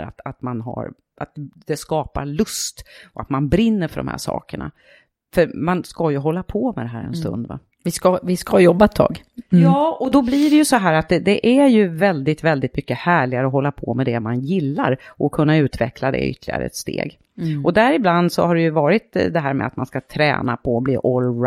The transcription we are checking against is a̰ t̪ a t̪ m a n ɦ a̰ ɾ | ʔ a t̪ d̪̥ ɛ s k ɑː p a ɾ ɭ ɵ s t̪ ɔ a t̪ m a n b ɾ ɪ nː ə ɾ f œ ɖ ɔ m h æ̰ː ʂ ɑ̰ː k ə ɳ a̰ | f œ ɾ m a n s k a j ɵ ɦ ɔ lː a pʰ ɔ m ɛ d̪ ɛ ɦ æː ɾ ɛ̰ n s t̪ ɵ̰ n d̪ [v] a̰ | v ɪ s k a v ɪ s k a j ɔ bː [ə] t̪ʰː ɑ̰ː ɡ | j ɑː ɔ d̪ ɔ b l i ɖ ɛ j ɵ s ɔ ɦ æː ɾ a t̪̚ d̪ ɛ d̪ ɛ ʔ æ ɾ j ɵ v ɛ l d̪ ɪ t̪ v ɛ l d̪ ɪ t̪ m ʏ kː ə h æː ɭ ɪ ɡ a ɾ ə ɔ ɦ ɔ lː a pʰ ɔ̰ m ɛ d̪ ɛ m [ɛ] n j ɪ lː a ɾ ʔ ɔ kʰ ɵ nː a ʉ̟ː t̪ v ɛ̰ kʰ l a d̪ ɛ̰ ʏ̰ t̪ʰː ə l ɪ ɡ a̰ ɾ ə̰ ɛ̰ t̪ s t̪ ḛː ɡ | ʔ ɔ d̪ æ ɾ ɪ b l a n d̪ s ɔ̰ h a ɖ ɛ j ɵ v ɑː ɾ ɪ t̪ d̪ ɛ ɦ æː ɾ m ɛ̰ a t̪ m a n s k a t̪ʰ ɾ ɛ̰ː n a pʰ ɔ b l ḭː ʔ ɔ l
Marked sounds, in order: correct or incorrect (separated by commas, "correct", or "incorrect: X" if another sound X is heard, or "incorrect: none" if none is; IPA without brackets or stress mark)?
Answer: correct, incorrect: a, incorrect: a